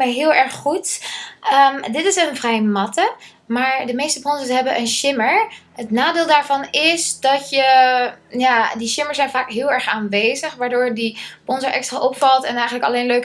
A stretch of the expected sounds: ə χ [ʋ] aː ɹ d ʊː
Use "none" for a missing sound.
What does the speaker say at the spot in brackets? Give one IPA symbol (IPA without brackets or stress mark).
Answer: ʋ